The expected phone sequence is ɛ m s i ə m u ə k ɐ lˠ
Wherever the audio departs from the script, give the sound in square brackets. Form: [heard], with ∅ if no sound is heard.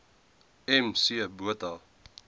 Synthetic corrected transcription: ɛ m s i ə [b] u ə [t] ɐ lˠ